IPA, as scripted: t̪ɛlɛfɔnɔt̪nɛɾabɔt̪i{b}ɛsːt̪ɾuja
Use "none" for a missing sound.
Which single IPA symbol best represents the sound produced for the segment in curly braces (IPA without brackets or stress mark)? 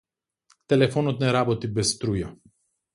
b